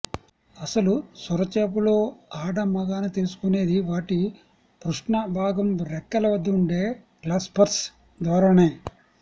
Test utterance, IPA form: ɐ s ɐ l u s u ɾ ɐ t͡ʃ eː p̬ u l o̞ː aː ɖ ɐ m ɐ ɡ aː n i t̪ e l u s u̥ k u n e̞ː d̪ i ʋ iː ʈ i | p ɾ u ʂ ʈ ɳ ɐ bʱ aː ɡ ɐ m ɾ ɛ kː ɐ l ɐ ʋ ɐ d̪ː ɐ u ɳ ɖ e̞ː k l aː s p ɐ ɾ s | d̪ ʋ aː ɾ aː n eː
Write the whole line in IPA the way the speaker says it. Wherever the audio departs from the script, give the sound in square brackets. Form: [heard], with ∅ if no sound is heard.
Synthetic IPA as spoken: ɐ s ɐ l u s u ɾ ɐ t͡ʃ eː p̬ u l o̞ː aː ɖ ɐ m ɐ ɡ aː n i t̪ e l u s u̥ k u n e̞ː d̪ i ʋ [aː] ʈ i | p ɾ u ʂ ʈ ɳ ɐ bʱ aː ɡ ɐ m ɾ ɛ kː ɐ l ɐ ʋ ɐ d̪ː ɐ u ɳ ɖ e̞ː k l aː s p ɐ ɾ s | d̪ ʋ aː ɾ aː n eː